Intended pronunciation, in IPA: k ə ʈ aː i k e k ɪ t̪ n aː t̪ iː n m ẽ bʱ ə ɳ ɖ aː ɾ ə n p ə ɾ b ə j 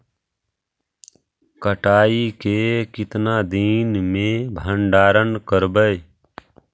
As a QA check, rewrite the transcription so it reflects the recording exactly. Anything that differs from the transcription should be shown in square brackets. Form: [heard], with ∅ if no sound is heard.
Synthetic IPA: k ə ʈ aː i k e k ɪ t̪ n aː [d̪] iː n m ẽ bʱ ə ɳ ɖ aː ɾ ə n [k] ə ɾ b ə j

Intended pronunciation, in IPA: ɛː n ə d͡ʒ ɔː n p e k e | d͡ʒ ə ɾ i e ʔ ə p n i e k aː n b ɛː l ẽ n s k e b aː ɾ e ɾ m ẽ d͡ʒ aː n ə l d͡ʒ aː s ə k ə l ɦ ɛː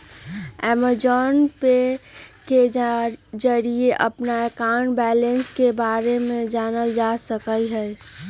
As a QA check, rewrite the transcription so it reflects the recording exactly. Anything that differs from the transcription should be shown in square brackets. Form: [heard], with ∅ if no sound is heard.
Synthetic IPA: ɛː [m] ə d͡ʒ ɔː n p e k e | d͡ʒ ə ɾ i e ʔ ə p n [a] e k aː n b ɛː l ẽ n s k e b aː ɾ e [∅] m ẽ d͡ʒ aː n ə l d͡ʒ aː s ə k ə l ɦ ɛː

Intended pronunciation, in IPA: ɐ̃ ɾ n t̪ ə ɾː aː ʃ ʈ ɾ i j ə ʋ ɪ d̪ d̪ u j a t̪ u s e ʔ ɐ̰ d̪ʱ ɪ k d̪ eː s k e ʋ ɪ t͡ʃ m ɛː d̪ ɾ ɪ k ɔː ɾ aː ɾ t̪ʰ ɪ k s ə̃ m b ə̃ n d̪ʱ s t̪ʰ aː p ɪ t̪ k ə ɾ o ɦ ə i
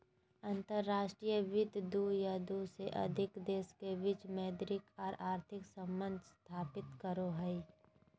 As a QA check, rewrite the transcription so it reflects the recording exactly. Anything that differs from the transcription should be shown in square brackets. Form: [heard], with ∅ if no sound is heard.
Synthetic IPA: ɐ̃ [∅] n t̪ ə ɾː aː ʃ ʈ ɾ i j ə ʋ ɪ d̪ d̪ u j a [d̪] u s e ʔ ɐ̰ d̪ʱ ɪ k d̪ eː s k e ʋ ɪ t͡ʃ m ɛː d̪ ɾ ɪ k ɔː ɾ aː ɾ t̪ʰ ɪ k s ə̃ m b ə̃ n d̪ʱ s t̪ʰ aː p ɪ t̪ k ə ɾ o ɦ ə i

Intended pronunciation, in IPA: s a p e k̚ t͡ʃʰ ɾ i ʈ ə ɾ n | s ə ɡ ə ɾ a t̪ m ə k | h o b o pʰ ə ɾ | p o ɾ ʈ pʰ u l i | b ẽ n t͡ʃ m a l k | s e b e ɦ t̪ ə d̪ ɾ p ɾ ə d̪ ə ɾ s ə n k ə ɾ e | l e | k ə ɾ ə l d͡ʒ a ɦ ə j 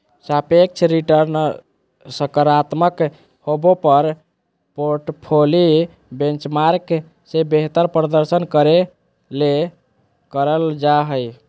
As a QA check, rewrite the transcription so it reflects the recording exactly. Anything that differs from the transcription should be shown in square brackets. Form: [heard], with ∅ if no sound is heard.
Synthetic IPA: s a p e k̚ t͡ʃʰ ɾ i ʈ ə ɾ n | s ə [k] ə ɾ a t̪ m ə k | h o b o [p] ə ɾ | p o ɾ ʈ pʰ [o] l i | b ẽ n t͡ʃ m a [ɾ] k | s e b e ɦ t̪ ə [∅] ɾ p ɾ ə d̪ ə ɾ s ə n k ə ɾ e | l e | k ə ɾ ə l d͡ʒ a ɦ ə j

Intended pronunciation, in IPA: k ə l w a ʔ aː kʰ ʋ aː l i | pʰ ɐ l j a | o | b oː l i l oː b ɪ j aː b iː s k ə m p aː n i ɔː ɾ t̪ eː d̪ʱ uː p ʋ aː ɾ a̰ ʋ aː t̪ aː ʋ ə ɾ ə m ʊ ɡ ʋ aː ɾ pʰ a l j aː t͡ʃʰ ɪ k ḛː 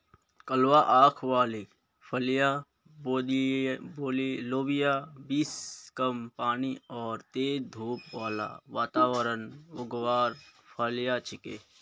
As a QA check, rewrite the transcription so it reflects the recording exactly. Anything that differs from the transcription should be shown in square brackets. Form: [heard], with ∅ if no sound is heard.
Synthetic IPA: k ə l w a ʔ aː kʰ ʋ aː l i | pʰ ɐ l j a | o | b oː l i l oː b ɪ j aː b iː s k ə m p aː n i ɔː ɾ t̪ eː d̪ʱ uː p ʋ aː [l] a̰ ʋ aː t̪ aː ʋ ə ɾ ə [n] ʊ ɡ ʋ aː ɾ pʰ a l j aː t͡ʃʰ ɪ k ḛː

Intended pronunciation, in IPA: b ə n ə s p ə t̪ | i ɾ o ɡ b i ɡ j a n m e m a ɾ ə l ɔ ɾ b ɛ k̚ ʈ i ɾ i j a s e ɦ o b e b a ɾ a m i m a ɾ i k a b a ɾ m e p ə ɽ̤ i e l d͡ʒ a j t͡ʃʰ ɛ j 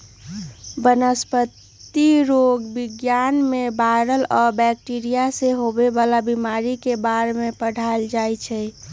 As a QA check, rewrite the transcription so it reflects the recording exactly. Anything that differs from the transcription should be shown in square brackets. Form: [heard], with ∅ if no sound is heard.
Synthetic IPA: b ə n ə s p ə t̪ | i ɾ o ɡ b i ɡ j a n m e [b] a ɾ ə l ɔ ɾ b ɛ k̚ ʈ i ɾ i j a s e ɦ o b e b a [l] a [b] i m a ɾ i k [e] b a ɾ m e p ə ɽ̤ [a] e l d͡ʒ a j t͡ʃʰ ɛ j

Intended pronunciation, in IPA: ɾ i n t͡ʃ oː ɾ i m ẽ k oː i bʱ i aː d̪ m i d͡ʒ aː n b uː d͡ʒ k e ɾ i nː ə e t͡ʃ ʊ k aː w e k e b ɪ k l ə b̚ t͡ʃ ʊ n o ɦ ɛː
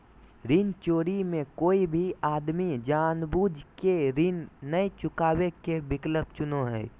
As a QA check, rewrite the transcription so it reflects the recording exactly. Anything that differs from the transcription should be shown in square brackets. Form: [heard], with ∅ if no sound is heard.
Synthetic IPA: ɾ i n t͡ʃ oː ɾ i m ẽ k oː i bʱ i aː d̪ m i d͡ʒ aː n b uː d͡ʒ k e ɾ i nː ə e t͡ʃ ʊ k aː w e k e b ɪ k l ə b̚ t͡ʃ ʊ n o ɦ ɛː

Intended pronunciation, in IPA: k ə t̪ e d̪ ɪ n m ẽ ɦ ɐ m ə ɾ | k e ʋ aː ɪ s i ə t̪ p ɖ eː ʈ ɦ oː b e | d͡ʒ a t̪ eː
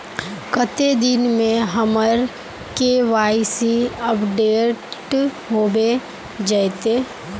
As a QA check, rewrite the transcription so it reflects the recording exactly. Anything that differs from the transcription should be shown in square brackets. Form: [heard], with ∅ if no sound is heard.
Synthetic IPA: k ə t̪ e d̪ ɪ n m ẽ ɦ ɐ m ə ɾ | k e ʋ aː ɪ s i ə [∅] p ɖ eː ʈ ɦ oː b e | d͡ʒ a t̪ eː

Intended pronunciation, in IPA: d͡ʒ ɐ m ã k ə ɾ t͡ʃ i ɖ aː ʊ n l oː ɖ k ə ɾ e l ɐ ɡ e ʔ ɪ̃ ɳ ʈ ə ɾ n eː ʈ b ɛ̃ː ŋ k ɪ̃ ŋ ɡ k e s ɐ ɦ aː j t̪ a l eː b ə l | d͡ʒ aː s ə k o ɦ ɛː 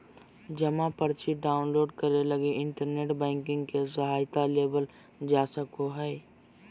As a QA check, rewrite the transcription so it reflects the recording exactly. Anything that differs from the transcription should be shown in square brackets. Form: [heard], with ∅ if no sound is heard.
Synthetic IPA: d͡ʒ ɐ m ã [p] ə ɾ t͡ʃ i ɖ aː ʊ n l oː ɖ k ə ɾ e l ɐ ɡ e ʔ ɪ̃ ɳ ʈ ə ɾ n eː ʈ b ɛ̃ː ŋ k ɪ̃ ŋ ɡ k e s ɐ ɦ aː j t̪ a l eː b ə l | d͡ʒ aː s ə k o ɦ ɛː

